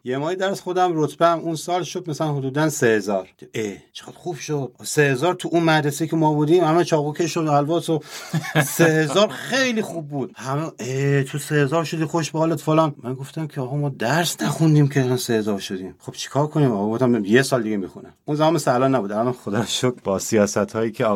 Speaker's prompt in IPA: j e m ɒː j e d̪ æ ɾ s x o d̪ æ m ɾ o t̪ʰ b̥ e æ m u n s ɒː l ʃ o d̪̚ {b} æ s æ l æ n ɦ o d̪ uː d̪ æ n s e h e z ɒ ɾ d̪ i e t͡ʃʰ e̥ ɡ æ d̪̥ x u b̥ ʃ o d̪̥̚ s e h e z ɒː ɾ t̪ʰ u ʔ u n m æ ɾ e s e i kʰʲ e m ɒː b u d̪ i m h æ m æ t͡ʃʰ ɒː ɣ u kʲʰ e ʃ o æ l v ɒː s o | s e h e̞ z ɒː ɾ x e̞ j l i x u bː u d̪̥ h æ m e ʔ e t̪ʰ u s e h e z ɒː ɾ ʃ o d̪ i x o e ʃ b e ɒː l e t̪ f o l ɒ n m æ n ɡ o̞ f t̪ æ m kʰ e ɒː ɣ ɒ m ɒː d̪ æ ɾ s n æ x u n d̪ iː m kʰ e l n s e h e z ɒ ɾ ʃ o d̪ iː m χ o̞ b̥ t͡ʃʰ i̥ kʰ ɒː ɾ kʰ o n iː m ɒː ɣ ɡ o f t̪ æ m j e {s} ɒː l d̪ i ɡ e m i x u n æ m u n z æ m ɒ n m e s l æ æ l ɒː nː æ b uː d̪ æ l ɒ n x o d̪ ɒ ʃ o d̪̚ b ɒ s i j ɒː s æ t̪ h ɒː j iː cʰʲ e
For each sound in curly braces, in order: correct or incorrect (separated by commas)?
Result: incorrect, correct